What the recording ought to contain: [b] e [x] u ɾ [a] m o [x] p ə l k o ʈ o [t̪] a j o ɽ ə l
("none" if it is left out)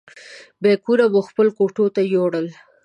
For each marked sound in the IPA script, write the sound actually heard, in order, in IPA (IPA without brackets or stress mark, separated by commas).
b, k, a, x, t̪